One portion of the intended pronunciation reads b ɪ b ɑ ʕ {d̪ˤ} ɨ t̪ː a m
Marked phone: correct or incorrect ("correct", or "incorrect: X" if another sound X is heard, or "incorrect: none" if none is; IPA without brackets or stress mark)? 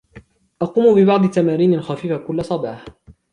correct